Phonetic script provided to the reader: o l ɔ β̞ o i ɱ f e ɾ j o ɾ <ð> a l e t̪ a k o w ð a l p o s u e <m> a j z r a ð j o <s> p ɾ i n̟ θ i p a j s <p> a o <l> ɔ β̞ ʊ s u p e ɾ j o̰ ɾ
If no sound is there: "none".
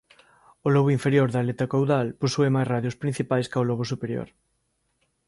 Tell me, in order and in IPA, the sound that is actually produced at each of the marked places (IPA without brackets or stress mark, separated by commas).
ð, m, s, k, l